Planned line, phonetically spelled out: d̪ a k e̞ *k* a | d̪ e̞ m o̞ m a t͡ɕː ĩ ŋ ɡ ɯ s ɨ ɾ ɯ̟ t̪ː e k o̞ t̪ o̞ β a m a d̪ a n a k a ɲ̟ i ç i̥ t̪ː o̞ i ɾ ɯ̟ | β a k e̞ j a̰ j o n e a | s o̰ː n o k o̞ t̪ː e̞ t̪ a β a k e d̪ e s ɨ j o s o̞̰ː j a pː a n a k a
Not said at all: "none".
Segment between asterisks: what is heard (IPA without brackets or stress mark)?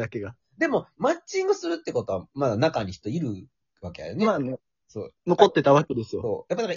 ɡ